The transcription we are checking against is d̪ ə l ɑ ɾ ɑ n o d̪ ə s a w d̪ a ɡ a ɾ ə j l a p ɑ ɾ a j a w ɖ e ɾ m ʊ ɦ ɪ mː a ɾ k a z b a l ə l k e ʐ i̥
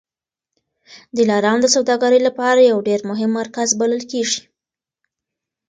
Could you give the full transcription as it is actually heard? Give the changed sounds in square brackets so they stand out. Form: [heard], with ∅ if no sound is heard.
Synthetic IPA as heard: d̪ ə l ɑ ɾ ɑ n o d̪ ə s a w d̪ [ɑ] ɡ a ɾ ə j l a p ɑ ɾ a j a w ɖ e ɾ m ʊ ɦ ɪ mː a ɾ k a z b a l ə l k e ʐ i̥